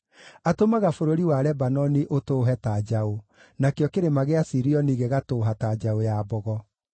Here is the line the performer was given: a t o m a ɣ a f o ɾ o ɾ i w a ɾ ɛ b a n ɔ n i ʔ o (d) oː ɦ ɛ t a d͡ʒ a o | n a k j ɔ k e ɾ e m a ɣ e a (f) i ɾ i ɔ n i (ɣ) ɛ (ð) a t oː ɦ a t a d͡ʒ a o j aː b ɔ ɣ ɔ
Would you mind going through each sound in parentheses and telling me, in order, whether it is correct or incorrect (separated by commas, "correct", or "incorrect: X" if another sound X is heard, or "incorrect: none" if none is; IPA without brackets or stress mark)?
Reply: incorrect: t, incorrect: s, correct, incorrect: ɣ